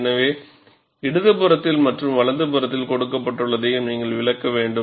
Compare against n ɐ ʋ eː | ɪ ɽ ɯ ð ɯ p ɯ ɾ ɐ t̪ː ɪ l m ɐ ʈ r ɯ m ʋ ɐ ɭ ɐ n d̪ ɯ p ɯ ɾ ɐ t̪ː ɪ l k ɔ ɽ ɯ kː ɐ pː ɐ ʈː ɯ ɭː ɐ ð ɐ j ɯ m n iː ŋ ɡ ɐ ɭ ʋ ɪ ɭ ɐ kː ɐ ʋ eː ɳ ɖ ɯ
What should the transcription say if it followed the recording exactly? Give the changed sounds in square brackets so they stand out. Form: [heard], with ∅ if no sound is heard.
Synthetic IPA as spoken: n ɐ ʋ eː | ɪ ɽ ɯ ð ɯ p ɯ ɾ ɐ t̪ː ɪ l m ɐ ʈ r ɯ m ʋ ɐ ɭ ɐ n d̪ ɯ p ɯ ɾ ɐ t̪ː ɪ l k ɔ ɽ ɯ kː ɐ pː ɐ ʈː ɯ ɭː ɐ ð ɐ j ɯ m n iː ŋ ɡ ɐ ɭ ʋ ɪ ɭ ɐ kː ɐ ʋ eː ɳ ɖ ɯ